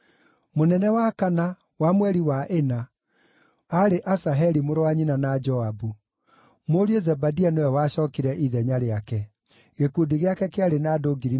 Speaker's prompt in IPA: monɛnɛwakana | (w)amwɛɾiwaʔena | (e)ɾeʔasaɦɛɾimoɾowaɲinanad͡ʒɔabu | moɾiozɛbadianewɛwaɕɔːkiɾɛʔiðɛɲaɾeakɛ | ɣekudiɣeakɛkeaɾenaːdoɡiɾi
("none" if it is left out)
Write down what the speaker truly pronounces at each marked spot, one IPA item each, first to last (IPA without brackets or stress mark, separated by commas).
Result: w, a